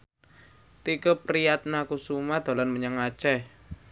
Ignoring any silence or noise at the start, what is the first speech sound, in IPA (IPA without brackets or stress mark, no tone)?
t̪